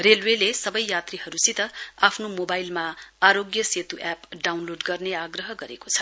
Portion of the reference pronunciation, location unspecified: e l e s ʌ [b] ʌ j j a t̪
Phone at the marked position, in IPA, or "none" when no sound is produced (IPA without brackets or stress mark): b